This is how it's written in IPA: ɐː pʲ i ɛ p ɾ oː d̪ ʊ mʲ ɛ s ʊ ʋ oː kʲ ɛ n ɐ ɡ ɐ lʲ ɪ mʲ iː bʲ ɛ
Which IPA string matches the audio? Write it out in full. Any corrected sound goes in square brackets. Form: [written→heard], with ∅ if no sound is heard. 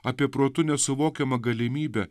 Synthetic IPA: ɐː pʲ i ɛ p ɾ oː [d̪→t̪] ʊ [mʲ→nʲ] ɛ s ʊ ʋ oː kʲ ɛ [n→m] ɐ ɡ ɐ lʲ ɪ mʲ iː bʲ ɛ